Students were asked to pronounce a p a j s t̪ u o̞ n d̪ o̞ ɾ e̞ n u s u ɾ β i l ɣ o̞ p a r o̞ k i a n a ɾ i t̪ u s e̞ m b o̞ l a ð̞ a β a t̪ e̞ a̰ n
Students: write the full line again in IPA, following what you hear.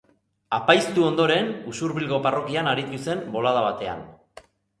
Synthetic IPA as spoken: a p a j s t̪ u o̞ n d̪ o̞ ɾ e̞ n u s u ɾ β i l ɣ o̞ p a r o̞ k i a n a ɾ i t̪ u s e̞ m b o̞ l a ð̞ a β a t̪ e̞ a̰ n

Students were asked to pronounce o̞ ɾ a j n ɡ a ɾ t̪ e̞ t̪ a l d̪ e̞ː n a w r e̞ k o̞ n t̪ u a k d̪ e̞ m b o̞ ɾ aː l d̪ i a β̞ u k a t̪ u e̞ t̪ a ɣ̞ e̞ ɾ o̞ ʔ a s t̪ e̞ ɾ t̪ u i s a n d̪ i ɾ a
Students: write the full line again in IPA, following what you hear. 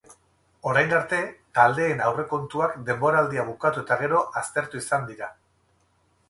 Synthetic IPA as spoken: o̞ ɾ a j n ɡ a ɾ t̪ e̞ t̪ a l d̪ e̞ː n a w r e̞ k o̞ n t̪ u a k d̪ e̞ m b o̞ ɾ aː l d̪ i a β̞ u k a t̪ u e̞ t̪ a ɣ̞ e̞ ɾ o̞ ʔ a s t̪ e̞ ɾ t̪ u i s a n d̪ i ɾ a

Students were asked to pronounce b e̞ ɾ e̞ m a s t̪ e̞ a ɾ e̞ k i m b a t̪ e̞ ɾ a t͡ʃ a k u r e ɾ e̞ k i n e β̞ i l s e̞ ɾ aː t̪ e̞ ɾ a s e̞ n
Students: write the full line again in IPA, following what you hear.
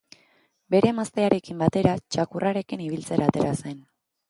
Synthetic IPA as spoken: b e̞ ɾ e̞ m a s t̪ e̞ a ɾ e̞ k i m b a t̪ e̞ ɾ a t͡ʃ a k u r a ɾ e̞ k i n i β̞ i l t͡s e̞ ɾ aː t̪ e̞ ɾ a s e̞ n

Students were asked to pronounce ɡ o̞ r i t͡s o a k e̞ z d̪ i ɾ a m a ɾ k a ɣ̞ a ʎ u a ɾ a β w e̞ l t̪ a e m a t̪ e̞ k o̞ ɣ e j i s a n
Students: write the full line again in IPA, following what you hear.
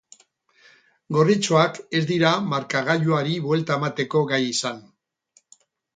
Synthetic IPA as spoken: ɡ o̞ r i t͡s o a k e̞ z d̪ i ɾ a m a ɾ k a ɣ̞ a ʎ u a ɾ i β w e̞ l t̪ a e m a t̪ e̞ k o̞ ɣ a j i s a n

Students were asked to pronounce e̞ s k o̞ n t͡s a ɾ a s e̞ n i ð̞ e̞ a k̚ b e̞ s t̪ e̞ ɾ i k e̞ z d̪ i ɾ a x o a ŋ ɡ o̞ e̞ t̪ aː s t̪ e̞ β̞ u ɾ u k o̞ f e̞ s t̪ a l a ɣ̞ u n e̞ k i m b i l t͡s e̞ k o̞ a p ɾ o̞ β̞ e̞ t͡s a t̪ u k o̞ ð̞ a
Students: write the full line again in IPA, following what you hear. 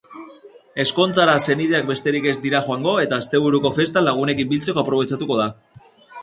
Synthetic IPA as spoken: e̞ s k o̞ n t͡s a ɾ a s e̞ n i ð̞ e̞ a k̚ b e̞ s t̪ e̞ ɾ i k e̞ z d̪ i ɾ a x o a ŋ ɡ o̞ e̞ t̪ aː s t̪ e̞ β̞ u ɾ u k o̞ f e̞ s t̪ a l a ɣ̞ u n e̞ k i m b i l t͡s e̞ k o̞ a p ɾ o̞ β̞ e̞ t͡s a t̪ u k o̞ ð̞ a

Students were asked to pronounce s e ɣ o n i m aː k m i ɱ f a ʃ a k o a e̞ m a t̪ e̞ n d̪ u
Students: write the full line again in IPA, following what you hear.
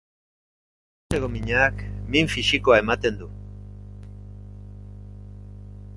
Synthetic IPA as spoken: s e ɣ o m i ɲ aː k m i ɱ f i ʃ i k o a e̞ m a t̪ e̞ n d̪ u

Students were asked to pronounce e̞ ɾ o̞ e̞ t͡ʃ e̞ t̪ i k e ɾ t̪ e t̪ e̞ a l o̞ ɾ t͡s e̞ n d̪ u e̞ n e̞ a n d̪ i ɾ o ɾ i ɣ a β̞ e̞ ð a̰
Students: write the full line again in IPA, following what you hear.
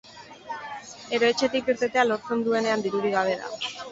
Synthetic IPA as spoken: e̞ ɾ o̞ e̞ t͡ʃ e̞ t̪ i k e ɾ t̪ e t̪ e̞ a l o̞ ɾ t͡s e̞ n d̪ u e̞ n e̞ a n d̪ i ɾ u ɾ i ɣ a β̞ e̞ ð a̰

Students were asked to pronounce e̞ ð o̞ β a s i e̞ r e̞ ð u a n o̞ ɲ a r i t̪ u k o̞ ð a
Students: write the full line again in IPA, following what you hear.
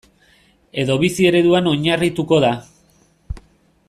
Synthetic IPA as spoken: e̞ ð o̞ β i s i e̞ ɾ e̞ ð u a n o̞ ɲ a r i t̪ u k o̞ ð a

